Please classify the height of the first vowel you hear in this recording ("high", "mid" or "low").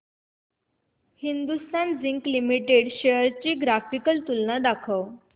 high